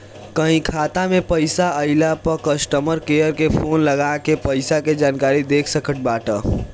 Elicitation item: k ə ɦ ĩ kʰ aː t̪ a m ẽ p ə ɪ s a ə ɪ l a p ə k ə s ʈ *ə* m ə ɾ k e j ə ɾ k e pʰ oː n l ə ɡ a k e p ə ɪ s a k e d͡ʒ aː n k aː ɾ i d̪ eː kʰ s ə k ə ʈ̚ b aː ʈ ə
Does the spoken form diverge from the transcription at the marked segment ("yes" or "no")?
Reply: no